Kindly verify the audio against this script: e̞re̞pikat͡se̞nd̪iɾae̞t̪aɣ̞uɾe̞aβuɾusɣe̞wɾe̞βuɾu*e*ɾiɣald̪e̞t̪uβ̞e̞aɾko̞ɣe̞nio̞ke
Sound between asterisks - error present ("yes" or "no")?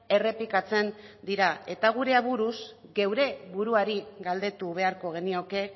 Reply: yes